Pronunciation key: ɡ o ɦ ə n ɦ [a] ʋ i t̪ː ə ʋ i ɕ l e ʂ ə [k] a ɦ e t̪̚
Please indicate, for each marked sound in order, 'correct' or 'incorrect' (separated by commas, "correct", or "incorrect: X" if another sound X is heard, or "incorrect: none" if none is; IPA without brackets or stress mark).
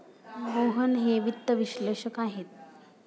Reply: incorrect: e, correct